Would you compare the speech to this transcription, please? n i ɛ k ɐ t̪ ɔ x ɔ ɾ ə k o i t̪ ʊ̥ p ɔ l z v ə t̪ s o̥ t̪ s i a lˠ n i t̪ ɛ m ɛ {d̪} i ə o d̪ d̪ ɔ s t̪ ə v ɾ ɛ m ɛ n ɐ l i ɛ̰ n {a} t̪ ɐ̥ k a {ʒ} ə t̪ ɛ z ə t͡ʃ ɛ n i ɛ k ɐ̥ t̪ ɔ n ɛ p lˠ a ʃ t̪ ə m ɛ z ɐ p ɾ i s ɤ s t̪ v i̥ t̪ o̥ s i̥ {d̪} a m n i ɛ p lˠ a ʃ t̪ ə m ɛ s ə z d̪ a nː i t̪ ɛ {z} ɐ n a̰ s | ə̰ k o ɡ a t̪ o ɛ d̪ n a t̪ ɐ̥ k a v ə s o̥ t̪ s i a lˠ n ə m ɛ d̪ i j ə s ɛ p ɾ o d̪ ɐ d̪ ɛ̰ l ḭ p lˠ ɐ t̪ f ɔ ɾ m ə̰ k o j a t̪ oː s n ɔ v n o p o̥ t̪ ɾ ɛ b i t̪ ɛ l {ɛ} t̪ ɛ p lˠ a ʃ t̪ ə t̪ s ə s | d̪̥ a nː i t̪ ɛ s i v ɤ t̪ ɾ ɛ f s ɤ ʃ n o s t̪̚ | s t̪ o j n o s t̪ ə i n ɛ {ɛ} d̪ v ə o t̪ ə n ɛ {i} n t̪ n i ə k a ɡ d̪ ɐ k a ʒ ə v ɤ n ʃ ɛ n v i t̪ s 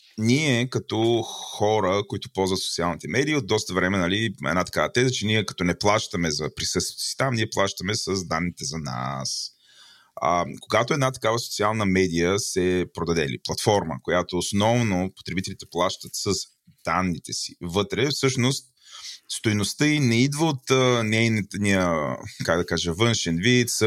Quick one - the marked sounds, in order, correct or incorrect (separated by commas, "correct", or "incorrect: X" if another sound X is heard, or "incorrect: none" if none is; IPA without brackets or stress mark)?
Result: correct, correct, incorrect: v, incorrect: t̪, correct, incorrect: i, incorrect: i, incorrect: j